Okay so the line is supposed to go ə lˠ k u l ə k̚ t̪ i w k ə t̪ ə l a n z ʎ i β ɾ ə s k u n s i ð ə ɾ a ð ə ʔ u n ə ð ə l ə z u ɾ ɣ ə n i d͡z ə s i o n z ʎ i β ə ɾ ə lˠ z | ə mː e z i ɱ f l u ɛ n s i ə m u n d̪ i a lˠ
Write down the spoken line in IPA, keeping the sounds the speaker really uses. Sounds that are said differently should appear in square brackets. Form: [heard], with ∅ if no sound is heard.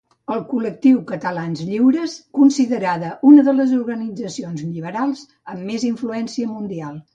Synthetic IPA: ə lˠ k u l ə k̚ t̪ i w k ə t̪ ə l a n z ʎ i [w] ɾ ə s k u n s i ð ə ɾ a ð ə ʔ u n ə ð ə l ə z u ɾ ɣ ə n i d͡z ə s i o n z ʎ i β ə ɾ [a] lˠ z | ə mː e z i ɱ f l u ɛ n s i ə m u n d̪ i a lˠ

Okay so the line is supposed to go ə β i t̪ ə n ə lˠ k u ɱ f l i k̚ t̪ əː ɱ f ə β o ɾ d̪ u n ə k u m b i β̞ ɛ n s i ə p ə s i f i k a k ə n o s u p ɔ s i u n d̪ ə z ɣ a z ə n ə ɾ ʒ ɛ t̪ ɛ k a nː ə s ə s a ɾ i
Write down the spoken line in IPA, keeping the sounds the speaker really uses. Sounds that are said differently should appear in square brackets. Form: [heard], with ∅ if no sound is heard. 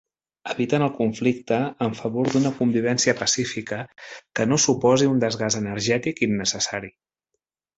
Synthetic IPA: ə β i t̪ ə n ə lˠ k u ɱ f l i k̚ t̪ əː ɱ f ə β o ɾ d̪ u n ə k u m b i β̞ ɛ n s i ə p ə s i f i k [ə] k ə n o s u p ɔ [z] i u n d̪ ə z ɣ a z ə n ə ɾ ʒ ɛ t̪ [i] k [i] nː ə s ə s a ɾ i

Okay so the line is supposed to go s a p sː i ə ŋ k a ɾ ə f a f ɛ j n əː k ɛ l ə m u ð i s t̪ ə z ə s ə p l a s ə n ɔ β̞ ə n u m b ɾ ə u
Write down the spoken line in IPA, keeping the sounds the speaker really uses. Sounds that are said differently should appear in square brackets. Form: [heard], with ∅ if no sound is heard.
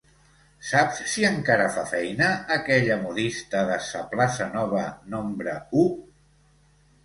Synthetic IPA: s a p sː i ə ŋ k a ɾ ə f a f ɛ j n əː k ɛ [ʎ] ə m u ð i s t̪ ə [ð] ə s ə p l a s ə n ɔ β̞ ə n [o] m b ɾ ə u

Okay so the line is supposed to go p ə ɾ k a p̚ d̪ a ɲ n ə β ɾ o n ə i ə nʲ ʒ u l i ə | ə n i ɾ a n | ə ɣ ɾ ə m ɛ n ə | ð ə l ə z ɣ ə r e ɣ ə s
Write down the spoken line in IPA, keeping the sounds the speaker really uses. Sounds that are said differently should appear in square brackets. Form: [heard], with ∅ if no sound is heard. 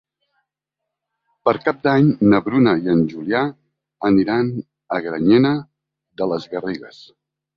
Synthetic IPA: p ə ɾ k a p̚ d̪ a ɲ n ə β ɾ [u] n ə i ə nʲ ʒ u l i [a] | ə n i ɾ a n | ə ɣ ɾ ə [ɲ] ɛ n ə | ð ə l ə z ɣ ə r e ɣ ə s

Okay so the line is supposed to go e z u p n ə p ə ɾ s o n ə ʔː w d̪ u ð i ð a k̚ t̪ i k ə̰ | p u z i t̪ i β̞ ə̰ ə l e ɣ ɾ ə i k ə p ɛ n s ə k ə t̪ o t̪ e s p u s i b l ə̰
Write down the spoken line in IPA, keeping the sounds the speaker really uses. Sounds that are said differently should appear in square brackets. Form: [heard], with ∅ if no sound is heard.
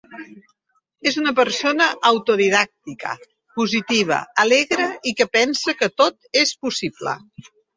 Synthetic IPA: e z u [∅] n ə p ə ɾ s o n ə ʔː w [t̪] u ð i ð a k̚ t̪ i k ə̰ | p u z i t̪ i β̞ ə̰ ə l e ɣ ɾ ə i k ə p ɛ n s ə k ə t̪ o t̪ e s p u s i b l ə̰

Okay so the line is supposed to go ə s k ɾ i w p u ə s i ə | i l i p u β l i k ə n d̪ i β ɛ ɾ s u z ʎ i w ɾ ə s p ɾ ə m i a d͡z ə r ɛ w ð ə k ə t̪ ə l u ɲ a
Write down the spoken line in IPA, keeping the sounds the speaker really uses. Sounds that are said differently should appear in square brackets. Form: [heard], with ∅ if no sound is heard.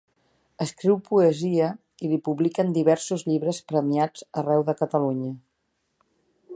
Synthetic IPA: ə s k ɾ i w p u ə [z] i ə | i l i p u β l i k ə n d̪ i β ɛ ɾ s u z ʎ i [β] ɾ ə s p ɾ ə m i a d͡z ə r ɛ w ð ə k ə t̪ ə l u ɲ [ə]

